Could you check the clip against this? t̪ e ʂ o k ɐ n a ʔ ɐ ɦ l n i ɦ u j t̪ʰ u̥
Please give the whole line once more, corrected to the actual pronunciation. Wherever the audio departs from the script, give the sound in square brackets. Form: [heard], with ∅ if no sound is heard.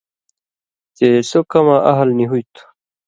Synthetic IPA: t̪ e [s] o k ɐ [m] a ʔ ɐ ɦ l n i ɦ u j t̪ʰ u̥